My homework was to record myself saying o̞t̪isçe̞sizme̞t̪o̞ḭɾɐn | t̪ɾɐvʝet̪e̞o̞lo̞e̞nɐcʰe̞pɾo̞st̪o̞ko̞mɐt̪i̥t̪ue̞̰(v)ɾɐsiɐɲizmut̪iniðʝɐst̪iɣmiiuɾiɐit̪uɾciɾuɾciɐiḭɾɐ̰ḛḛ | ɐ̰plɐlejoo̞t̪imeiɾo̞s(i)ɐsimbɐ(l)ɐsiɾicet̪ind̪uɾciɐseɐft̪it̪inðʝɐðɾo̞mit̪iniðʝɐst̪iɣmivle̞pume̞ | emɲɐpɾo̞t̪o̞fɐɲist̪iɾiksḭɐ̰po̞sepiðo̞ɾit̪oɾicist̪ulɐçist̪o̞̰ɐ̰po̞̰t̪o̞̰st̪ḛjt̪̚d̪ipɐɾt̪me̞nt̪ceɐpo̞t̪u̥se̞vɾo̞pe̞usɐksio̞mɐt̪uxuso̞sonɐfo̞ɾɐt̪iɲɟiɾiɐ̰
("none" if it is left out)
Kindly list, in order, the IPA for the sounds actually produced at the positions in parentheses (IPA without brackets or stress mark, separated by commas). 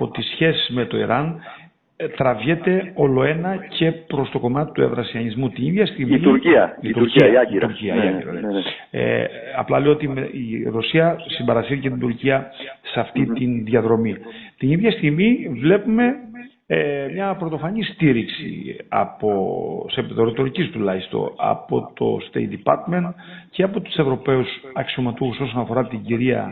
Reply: v, i, ɾ